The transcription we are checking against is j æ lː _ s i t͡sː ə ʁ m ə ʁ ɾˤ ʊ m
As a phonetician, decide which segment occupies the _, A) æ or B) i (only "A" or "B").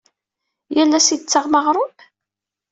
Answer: A